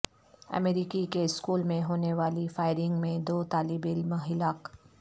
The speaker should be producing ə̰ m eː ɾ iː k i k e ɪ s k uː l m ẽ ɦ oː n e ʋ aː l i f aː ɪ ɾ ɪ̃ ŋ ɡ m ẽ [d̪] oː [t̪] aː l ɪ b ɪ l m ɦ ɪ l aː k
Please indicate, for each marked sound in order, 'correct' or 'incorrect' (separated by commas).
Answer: correct, correct